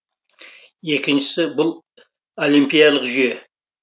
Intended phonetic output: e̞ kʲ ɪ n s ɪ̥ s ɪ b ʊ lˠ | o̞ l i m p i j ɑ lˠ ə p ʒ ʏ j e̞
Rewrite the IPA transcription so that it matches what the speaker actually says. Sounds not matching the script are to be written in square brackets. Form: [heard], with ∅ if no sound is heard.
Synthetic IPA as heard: e̞ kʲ ɪ n [ʃ] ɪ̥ s ɪ b ʊ lˠ | o̞ l i m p i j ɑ lˠ ə [q] ʒ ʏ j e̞